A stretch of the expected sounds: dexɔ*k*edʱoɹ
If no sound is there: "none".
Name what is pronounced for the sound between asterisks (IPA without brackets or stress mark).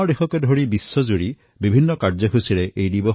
k